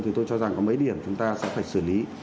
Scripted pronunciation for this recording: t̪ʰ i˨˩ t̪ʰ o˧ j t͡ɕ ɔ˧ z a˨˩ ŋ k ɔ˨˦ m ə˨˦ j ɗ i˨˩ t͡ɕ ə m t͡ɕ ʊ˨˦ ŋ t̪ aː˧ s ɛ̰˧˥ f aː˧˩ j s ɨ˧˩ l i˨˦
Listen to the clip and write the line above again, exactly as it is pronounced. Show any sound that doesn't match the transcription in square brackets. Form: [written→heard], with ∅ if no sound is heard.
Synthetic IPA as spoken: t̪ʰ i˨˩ [t̪ʰ→t̪] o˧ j t͡ɕ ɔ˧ z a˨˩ ŋ k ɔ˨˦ m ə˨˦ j ɗ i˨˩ [t͡ɕ→∅] ə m t͡ɕ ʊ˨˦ [ŋ→ŋ͡m] t̪ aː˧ s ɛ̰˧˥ f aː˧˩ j s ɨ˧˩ l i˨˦